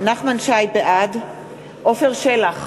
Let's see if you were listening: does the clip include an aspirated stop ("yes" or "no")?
no